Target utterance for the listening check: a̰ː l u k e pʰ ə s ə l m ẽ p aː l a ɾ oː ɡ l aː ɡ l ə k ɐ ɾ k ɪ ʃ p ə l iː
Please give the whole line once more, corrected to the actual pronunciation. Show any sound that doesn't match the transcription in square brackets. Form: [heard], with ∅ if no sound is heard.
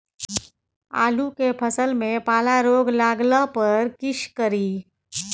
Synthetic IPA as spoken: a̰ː l u k e pʰ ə s ə l m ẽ p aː l a ɾ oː ɡ l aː ɡ l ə [p] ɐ ɾ k ɪ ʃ [k] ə [ɾ] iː